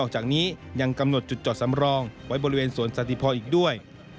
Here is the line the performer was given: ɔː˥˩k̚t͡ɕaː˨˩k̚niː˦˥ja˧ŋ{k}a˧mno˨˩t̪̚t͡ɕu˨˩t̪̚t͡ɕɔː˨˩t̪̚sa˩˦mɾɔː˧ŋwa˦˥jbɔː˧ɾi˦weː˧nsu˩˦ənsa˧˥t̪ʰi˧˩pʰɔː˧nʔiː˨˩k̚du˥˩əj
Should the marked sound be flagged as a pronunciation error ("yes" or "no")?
no